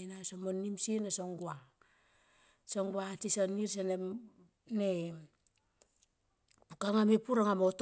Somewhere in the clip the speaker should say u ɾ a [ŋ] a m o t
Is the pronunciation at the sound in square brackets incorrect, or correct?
correct